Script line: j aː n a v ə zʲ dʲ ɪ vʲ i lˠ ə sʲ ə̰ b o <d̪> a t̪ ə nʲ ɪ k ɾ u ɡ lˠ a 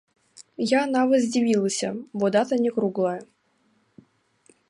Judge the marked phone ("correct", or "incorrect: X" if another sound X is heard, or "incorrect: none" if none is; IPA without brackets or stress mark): correct